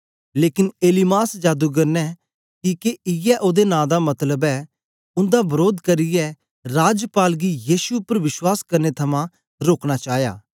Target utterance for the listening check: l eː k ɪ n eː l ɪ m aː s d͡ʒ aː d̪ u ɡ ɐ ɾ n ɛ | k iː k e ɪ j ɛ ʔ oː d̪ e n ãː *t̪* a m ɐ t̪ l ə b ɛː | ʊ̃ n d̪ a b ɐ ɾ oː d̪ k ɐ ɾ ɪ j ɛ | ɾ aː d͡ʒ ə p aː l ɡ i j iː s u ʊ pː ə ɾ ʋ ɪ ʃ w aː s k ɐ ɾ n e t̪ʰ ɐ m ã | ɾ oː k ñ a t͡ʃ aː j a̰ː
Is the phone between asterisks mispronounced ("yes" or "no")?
yes